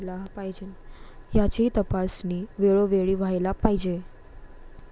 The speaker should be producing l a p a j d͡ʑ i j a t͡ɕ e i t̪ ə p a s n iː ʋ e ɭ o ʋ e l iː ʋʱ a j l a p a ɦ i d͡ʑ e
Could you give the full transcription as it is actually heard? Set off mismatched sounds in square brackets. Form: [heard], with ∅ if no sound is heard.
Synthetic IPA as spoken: l a p a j d͡ʑ [e] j a t͡ɕ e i t̪ ə p a s n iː ʋ e ɭ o ʋ e [ɭ] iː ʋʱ a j l a p a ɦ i d͡ʑ e